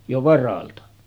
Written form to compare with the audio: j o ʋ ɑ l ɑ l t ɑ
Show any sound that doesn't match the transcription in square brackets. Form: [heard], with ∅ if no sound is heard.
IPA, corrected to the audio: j o ʋ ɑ [r] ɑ l t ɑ

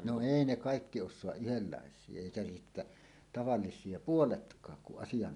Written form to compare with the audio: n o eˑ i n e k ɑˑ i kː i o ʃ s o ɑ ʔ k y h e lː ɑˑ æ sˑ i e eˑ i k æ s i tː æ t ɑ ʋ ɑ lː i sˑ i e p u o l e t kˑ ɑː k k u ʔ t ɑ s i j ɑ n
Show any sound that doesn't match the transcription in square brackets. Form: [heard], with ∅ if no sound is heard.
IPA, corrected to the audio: n o eˑ i n e k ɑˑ i kː i o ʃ s o ɑ ʔ [ʔ] y h e lː ɑˑ [e] sˑ i e eˑ i k æ s i tː æ t ɑ ʋ ɑ lː i sˑ i e p u o l e t kˑ ɑː k k u ʔ [ʔ] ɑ s i j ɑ n

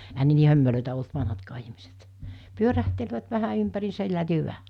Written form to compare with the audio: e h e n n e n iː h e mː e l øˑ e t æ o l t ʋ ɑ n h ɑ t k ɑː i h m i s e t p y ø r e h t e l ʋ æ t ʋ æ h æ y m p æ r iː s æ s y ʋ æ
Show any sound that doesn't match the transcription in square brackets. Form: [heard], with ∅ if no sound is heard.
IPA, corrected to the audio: e h [æ] n n e n iː h [ø] mː e l øˑ e t æ o l t ʋ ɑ n h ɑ t k ɑː i h m i s e t p y ø r [æ] h t e l ʋ æ t ʋ æ h æ y m p æ r iː s æ [h] y ʋ æ

